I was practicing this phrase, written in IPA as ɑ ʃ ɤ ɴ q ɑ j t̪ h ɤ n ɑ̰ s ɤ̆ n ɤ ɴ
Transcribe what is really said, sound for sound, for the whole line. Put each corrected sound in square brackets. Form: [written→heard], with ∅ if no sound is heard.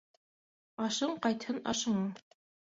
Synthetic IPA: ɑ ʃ ɤ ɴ q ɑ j t̪ h ɤ n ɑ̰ [s→ʃ] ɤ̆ [n→ɴ] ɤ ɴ